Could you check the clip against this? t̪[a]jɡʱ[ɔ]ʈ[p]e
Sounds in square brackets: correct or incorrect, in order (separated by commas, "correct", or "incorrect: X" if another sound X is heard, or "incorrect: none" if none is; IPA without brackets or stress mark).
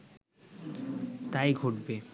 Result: correct, incorrect: o, incorrect: b